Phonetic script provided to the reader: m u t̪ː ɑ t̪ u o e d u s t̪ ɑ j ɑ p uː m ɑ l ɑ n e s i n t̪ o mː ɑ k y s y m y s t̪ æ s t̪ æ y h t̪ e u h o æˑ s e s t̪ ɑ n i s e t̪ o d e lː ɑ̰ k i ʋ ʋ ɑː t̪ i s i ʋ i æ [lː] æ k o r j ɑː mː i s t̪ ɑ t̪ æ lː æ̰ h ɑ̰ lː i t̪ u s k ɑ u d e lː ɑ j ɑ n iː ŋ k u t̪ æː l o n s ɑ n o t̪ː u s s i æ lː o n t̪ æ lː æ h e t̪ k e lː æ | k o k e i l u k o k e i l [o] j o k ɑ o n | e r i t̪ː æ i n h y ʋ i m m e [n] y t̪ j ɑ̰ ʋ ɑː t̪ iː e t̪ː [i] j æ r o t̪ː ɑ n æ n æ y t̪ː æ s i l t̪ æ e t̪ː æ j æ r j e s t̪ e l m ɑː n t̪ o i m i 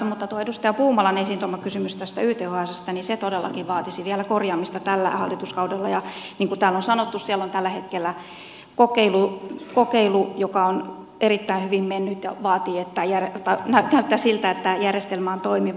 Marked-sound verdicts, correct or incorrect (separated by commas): incorrect, incorrect, incorrect, incorrect